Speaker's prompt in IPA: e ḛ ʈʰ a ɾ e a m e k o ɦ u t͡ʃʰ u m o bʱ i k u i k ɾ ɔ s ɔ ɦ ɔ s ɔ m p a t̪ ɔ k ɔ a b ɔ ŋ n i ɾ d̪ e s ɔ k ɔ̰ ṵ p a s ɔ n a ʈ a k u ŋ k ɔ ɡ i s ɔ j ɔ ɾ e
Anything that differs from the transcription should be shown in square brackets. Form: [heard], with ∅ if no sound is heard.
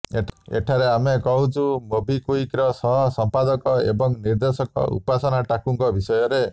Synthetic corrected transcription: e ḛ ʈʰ a ɾ e a m e k [ɔ] ɦ u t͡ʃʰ u m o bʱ i k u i k ɾ ɔ s ɔ ɦ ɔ s ɔ m p a [d̪] ɔ k ɔ [e] b ɔ ŋ n i ɾ d̪ e s ɔ k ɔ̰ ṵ p a s ɔ n a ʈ a k u ŋ k ɔ [b] i s ɔ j ɔ ɾ e